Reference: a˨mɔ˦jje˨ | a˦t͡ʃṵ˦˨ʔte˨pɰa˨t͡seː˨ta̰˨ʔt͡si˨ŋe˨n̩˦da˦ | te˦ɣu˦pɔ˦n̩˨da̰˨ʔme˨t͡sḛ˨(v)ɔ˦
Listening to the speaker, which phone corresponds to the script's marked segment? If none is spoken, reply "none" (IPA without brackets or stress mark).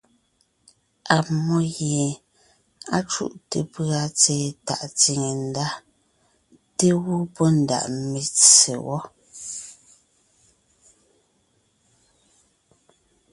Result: w